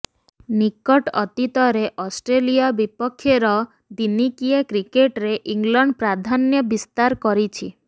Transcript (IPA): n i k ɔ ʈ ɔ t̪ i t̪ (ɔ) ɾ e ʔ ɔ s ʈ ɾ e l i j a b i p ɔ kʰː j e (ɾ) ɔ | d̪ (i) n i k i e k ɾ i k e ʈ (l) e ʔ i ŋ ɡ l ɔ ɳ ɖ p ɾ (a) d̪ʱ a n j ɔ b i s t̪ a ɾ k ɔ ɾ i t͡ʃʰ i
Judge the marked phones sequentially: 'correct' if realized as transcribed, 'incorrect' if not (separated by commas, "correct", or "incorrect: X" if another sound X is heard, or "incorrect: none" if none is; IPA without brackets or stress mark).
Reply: correct, correct, correct, incorrect: ɾ, correct